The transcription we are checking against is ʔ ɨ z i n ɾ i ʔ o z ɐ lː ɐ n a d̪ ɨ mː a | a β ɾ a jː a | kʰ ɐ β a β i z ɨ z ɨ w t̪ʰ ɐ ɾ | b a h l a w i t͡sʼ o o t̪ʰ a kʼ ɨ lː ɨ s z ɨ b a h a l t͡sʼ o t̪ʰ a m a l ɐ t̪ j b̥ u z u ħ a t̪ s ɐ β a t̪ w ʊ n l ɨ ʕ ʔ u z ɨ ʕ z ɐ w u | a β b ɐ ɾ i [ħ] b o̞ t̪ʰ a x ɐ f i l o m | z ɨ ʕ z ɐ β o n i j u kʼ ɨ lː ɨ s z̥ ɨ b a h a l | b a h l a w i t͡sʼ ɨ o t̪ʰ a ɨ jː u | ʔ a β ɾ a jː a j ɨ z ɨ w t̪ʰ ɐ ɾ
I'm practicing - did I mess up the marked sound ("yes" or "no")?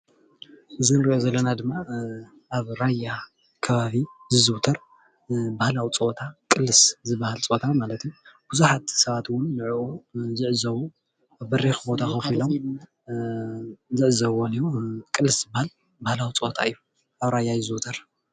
yes